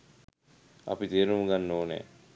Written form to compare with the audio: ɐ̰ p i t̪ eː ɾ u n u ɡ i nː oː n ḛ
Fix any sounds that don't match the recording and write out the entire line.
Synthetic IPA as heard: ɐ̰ p i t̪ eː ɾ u m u ɡ a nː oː n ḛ